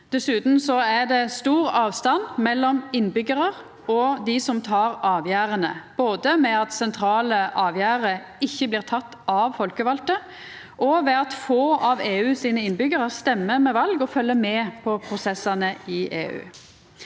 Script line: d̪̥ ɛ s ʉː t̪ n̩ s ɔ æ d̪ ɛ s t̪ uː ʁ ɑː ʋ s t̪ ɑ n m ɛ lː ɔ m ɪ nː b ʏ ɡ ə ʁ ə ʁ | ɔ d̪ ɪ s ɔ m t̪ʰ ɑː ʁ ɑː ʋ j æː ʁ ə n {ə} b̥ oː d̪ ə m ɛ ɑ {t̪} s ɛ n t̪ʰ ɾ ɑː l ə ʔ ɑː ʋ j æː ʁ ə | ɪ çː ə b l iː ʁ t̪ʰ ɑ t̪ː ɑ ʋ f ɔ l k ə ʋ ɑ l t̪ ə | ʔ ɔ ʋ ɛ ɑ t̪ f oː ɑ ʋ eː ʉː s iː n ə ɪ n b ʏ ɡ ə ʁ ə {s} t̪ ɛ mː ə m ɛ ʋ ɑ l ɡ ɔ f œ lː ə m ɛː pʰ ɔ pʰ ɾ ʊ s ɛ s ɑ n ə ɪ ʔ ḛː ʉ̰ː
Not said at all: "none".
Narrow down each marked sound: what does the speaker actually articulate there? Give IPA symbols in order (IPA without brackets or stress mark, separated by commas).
ə, t̪, s